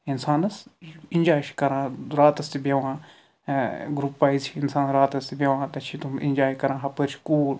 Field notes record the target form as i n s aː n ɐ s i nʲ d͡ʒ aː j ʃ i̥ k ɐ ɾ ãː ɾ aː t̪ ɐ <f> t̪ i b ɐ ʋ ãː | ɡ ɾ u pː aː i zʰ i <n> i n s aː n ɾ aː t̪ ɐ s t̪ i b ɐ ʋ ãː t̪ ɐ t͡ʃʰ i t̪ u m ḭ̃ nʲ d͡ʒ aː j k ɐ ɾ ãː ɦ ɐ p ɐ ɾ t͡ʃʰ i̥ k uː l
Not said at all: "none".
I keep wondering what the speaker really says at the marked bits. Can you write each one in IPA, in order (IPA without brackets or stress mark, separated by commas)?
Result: s, none